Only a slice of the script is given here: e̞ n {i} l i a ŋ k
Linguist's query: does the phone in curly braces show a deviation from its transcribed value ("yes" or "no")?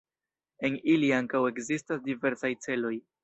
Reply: no